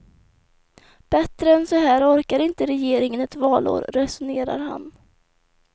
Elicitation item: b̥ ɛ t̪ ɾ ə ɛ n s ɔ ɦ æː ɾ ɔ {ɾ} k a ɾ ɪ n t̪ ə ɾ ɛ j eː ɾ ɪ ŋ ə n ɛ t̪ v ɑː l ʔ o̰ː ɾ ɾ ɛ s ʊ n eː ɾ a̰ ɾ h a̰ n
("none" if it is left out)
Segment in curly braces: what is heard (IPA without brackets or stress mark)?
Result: ɾ